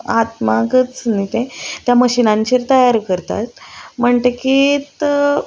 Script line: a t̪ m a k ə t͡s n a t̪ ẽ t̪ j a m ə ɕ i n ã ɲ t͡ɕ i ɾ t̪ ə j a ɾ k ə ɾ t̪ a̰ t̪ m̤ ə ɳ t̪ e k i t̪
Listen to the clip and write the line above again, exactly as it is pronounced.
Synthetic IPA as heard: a t̪ m a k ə t͡s n i t̪ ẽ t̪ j a m ə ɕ i n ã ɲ t͡ɕ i ɾ t̪ ə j a ɾ k ə ɾ t̪ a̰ t̪ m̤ ə ɳ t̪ e k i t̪